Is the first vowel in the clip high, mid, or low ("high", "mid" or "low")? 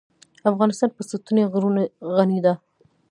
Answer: low